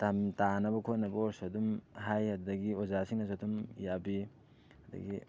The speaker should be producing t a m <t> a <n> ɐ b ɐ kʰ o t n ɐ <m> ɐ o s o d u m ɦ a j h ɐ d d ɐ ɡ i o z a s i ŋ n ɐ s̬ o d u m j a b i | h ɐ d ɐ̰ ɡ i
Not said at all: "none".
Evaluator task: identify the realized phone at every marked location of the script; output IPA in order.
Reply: t, n, b

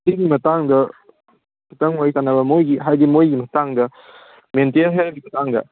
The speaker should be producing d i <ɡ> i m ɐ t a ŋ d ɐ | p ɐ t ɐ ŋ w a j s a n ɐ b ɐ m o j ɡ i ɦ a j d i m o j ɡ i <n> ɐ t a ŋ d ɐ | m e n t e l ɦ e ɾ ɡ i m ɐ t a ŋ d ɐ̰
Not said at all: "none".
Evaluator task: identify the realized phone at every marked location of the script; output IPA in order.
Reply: ɡ, m

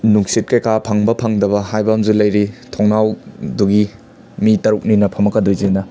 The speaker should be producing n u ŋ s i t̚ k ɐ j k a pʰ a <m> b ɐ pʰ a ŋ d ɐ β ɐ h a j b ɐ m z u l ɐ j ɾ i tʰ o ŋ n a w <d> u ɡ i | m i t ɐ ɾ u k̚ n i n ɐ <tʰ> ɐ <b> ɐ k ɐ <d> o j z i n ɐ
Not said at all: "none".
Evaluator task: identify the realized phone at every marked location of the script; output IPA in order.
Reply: ŋ, d, pʰ, m, d

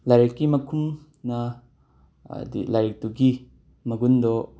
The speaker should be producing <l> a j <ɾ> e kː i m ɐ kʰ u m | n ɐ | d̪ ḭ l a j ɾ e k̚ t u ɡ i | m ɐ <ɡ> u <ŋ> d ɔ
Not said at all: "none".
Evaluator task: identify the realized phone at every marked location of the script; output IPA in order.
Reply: l, ɾ, ɡ, n

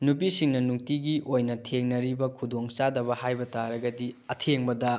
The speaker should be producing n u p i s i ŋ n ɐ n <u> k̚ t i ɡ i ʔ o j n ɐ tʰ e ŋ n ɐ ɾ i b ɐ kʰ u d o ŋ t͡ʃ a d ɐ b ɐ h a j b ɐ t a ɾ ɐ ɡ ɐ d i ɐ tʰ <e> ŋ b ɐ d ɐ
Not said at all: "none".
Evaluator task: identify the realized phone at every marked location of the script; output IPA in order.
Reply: u, e

